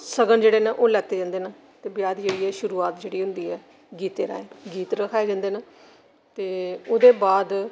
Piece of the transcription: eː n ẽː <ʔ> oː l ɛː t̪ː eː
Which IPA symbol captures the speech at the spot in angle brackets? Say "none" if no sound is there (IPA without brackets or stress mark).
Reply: ʔ